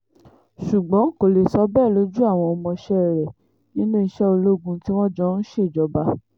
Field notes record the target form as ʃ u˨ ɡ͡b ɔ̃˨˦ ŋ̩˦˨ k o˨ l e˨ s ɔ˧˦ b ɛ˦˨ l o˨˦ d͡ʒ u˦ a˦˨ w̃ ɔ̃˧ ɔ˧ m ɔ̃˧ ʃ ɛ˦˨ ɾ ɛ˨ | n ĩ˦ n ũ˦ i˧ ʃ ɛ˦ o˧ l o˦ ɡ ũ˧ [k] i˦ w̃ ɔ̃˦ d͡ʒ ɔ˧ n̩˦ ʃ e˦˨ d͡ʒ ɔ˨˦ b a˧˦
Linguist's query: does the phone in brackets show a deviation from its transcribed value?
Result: yes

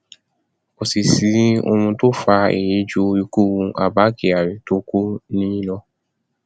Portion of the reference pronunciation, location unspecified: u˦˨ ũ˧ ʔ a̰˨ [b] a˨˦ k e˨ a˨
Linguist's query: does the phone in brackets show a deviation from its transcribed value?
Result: no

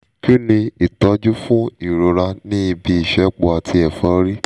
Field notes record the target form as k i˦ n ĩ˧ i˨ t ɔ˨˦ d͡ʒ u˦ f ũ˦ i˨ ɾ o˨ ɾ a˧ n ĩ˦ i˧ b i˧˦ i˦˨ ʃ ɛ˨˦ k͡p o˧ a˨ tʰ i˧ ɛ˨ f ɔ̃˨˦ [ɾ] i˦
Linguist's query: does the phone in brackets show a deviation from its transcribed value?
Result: no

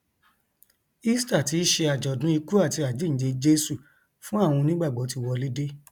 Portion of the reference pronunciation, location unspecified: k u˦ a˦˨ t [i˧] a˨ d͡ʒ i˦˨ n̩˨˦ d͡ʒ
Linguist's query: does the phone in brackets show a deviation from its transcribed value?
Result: no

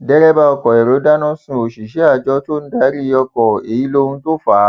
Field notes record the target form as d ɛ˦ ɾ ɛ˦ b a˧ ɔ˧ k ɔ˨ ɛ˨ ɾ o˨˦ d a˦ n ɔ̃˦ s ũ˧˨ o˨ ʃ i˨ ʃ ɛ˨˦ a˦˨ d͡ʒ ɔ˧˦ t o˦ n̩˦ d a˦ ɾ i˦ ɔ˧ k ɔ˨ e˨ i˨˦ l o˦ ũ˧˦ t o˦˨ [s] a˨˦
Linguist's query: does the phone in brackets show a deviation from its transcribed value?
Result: yes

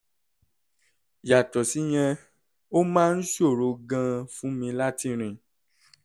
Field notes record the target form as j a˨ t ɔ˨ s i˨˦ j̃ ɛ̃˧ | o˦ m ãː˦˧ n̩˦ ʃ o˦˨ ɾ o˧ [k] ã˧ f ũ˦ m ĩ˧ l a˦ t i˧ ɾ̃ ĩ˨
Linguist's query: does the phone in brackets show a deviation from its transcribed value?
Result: yes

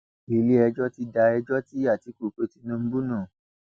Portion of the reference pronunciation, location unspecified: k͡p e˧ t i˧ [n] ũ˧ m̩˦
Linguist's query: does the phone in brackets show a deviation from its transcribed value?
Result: no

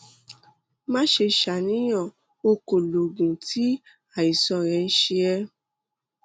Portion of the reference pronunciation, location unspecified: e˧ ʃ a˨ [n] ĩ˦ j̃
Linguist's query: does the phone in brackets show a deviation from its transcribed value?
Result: no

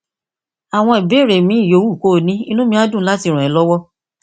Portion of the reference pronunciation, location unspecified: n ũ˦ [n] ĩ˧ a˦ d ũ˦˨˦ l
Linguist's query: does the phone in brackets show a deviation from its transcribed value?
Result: yes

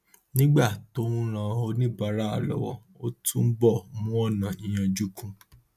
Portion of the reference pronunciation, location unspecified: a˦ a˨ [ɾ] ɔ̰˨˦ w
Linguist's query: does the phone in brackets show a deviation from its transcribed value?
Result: yes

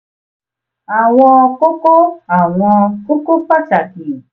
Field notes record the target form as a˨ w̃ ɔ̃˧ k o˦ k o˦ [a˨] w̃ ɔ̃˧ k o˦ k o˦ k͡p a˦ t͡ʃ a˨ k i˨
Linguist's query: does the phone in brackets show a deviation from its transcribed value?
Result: no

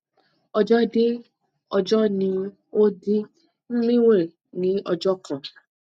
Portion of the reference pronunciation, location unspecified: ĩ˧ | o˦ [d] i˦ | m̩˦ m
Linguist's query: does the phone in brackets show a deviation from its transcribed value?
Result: no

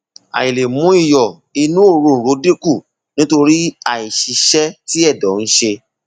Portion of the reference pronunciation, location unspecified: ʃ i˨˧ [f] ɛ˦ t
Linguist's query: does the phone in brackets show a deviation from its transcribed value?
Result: yes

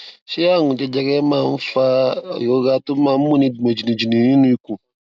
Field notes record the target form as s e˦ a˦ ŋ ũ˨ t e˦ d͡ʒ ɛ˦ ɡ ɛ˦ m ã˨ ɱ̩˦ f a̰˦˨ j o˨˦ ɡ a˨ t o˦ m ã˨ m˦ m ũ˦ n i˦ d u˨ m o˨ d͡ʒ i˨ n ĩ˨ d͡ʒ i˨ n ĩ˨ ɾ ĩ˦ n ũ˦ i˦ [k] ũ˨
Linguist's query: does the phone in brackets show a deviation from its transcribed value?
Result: no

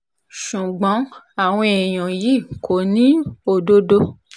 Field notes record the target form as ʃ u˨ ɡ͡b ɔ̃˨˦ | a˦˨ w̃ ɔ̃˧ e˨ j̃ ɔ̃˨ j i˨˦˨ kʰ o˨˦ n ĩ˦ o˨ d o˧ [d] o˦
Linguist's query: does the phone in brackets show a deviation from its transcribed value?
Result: no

